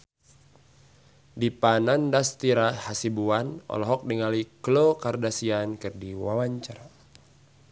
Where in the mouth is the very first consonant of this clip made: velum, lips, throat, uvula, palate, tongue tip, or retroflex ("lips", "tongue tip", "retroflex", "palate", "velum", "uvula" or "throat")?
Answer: tongue tip